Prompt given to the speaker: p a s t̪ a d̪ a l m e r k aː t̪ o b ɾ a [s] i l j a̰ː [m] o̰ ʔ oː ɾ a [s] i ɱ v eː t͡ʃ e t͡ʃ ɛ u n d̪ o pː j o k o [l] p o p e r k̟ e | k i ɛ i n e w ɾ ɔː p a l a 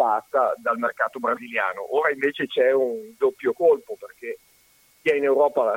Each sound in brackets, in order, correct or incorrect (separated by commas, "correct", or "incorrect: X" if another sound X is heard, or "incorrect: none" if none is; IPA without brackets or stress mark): incorrect: z, incorrect: n, incorrect: none, correct